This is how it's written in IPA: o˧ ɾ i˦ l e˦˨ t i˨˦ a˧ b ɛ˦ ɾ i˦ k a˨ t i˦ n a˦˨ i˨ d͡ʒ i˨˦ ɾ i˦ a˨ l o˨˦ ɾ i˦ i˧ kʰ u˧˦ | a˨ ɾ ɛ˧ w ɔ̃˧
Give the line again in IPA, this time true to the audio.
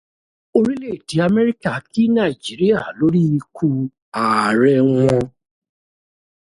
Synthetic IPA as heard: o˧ ɾ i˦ l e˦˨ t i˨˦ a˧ m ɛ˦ ɾ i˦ k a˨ k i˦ n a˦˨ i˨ d͡ʒ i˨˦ ɾ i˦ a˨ l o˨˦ ɾ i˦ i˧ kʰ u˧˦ | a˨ ɾ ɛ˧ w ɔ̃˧